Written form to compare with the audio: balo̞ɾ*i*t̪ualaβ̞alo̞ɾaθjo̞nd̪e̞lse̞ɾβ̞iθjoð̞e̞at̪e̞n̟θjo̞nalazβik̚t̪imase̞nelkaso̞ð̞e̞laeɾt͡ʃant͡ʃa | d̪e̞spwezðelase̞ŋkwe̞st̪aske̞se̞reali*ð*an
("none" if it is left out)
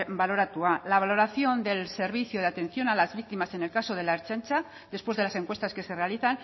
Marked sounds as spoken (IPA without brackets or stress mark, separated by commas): a, θ